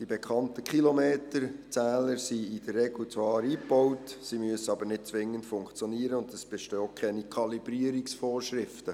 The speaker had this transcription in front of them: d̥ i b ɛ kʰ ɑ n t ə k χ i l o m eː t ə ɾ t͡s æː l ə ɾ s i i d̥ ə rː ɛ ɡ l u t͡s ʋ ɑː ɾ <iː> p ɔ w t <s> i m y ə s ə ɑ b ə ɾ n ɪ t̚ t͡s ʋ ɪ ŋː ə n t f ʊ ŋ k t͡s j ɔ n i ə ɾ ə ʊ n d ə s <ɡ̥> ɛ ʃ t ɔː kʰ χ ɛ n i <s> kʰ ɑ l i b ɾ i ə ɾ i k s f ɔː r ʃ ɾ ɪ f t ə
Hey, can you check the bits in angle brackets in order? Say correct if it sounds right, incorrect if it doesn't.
correct, correct, incorrect: b̥, incorrect: none

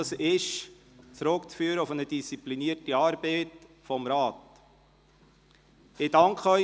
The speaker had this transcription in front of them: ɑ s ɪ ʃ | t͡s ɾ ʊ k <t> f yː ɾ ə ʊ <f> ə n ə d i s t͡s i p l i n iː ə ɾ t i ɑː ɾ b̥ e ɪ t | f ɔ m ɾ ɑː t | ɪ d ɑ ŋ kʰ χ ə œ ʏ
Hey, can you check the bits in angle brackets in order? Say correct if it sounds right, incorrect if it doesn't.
incorrect: t͡s, correct

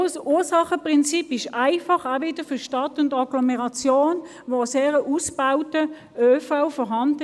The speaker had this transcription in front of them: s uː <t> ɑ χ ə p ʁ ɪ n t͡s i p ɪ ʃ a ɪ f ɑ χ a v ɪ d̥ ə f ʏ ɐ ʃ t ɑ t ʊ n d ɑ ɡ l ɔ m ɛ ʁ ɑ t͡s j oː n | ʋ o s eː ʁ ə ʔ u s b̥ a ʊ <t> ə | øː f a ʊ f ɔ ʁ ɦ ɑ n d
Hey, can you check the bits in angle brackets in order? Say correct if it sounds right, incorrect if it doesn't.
incorrect: s, correct

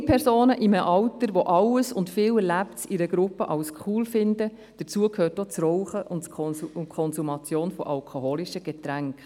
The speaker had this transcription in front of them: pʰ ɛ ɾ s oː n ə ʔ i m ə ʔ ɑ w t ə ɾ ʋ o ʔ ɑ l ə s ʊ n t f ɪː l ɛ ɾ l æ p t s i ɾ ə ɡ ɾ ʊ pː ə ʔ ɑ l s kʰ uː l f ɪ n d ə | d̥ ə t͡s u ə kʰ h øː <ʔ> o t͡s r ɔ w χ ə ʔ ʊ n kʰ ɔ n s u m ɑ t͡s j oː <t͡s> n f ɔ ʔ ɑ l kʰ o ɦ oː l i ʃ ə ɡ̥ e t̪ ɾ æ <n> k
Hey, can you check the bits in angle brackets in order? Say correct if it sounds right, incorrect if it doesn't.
incorrect: t, incorrect: none, incorrect: ŋ

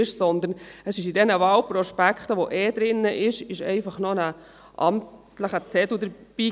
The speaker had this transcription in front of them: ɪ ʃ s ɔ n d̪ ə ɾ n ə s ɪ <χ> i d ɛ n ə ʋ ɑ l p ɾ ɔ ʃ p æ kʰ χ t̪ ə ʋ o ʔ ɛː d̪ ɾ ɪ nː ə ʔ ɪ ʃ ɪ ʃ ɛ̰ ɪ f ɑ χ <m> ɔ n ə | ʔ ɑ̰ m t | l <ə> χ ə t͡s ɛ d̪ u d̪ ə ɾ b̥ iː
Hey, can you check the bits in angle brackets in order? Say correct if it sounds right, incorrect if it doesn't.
incorrect: ʃ, incorrect: n, correct

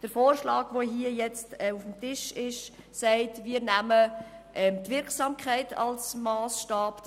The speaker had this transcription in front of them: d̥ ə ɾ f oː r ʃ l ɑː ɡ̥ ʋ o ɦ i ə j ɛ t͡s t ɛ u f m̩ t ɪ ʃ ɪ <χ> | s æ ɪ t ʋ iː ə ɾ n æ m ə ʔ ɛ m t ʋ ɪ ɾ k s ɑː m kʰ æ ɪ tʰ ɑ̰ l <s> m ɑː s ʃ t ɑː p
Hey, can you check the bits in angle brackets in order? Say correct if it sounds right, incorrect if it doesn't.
incorrect: ʃ, correct

